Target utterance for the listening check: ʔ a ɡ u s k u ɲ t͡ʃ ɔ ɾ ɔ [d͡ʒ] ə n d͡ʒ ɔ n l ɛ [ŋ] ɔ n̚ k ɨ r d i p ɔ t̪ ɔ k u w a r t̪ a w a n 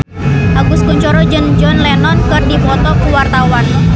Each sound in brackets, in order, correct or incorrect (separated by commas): correct, incorrect